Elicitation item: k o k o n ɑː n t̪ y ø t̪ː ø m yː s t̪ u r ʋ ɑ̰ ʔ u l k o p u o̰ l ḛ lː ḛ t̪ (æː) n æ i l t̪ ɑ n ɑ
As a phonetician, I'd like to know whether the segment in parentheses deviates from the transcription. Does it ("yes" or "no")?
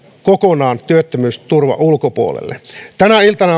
yes